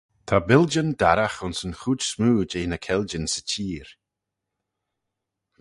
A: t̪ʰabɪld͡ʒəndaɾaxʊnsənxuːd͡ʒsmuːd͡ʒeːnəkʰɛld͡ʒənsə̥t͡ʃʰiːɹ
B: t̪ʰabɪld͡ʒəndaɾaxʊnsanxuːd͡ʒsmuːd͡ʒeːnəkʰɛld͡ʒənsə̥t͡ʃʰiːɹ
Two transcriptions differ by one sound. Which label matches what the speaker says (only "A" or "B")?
A